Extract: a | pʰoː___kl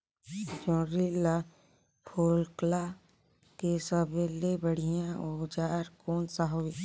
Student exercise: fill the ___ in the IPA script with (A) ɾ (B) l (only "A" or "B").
B